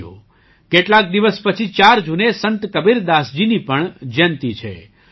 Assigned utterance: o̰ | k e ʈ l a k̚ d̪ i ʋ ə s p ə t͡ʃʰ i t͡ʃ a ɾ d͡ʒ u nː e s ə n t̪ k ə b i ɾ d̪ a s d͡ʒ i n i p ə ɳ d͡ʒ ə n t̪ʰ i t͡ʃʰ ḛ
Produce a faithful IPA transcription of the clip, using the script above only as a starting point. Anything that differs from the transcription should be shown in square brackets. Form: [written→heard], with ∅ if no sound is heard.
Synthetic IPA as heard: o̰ | k e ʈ l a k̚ d̪ i ʋ ə s p ə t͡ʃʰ i t͡ʃ a ɾ d͡ʒ u [nː→n] e s ə n t̪ k ə b i ɾ d̪ a s d͡ʒ i n i p ə ɳ d͡ʒ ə n [t̪ʰ→t̪] i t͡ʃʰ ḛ